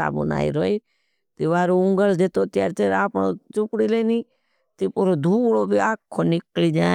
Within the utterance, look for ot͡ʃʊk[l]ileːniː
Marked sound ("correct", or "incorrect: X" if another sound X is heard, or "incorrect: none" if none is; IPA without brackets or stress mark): incorrect: ɽ